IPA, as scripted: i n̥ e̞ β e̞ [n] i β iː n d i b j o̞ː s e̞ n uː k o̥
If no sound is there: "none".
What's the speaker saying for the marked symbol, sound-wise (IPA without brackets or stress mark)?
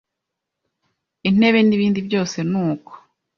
n